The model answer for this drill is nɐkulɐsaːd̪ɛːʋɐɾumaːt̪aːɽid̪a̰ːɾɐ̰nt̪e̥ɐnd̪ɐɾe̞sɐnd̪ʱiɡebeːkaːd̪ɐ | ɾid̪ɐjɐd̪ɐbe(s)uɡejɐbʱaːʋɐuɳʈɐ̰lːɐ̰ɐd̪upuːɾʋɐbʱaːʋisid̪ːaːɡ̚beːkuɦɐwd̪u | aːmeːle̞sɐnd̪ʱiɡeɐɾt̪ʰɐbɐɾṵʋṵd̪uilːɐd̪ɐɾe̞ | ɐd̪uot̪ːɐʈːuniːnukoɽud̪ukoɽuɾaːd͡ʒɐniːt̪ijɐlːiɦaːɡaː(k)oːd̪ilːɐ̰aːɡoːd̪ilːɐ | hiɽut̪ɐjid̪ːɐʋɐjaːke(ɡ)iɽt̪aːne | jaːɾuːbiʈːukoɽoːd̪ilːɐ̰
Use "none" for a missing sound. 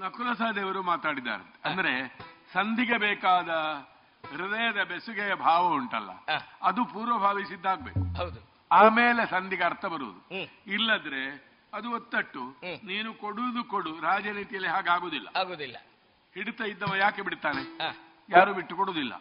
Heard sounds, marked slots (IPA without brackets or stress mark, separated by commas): s, ɡ, b